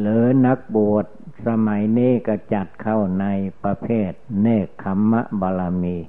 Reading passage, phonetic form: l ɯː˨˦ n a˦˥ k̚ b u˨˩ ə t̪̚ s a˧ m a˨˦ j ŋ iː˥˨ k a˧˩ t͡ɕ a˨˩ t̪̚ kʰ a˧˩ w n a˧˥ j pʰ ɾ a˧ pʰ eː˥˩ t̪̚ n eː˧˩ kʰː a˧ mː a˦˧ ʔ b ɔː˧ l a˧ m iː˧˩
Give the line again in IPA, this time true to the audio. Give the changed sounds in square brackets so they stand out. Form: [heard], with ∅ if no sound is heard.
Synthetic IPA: l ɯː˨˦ n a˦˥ k̚ b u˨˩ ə t̪̚ s a˧ m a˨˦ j [n] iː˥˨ k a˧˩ t͡ɕ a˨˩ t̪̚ kʰ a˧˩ w n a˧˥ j [p] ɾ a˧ pʰ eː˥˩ t̪̚ n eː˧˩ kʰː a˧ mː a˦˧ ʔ b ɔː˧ l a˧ m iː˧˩